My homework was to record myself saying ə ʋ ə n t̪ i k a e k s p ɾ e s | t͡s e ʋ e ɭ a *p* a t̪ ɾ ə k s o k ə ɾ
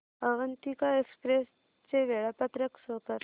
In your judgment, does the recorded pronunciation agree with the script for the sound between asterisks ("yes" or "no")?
yes